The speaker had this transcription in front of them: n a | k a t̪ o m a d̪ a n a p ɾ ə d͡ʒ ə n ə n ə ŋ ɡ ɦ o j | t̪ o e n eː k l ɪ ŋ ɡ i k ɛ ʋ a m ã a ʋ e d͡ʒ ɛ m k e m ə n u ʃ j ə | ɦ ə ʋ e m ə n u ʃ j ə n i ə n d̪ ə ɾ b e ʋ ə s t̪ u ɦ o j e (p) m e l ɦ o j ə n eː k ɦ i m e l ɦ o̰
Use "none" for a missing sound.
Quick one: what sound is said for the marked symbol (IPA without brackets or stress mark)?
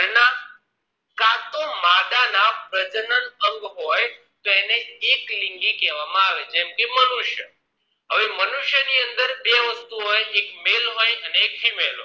k